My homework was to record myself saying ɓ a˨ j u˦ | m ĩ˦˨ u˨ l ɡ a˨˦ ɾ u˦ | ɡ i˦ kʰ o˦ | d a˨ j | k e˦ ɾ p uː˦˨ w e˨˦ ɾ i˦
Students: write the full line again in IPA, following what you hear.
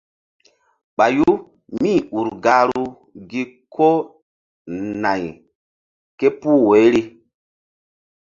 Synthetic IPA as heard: ɓ a˨ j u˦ | m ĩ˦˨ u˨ ɾ ɡ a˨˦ ɾ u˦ | ɡ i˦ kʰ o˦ | n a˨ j | k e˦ p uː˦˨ w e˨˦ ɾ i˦